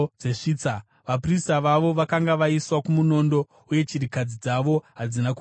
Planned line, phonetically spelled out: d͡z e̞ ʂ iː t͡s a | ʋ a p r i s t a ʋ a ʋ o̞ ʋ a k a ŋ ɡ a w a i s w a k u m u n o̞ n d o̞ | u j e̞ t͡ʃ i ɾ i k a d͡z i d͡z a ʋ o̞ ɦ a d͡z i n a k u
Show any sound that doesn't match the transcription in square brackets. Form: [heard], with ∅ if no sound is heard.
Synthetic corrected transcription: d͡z e̞ ʂ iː t͡s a | ʋ a p r i s t a ʋ a ʋ o̞ ʋ a k a ŋ ɡ a [ʋ] a i s w a k u m u n o̞ n d o̞ | u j e̞ t͡ʃ i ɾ i k a d͡z i d͡z a ʋ o̞ ɦ a d͡z i n a k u